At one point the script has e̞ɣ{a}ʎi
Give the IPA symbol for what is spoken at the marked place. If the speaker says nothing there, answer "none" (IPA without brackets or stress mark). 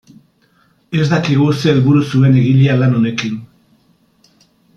i